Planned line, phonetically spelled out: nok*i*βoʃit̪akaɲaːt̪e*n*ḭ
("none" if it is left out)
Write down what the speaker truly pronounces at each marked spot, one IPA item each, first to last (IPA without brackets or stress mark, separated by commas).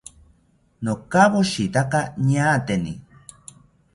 a, n